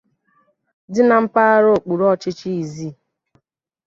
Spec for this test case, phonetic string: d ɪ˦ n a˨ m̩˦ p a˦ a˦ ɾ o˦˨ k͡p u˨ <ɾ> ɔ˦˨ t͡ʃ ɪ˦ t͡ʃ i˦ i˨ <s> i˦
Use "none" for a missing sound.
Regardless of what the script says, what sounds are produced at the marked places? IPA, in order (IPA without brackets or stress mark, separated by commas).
ɾ, z